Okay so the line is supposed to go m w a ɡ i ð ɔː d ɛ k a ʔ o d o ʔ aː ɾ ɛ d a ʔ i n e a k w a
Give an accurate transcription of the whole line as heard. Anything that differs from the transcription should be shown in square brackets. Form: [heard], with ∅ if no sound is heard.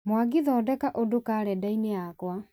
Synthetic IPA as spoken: m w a ɡ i ð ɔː d ɛ k a ʔ o d o [k] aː ɾ ɛ d a [∅] i n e a k w a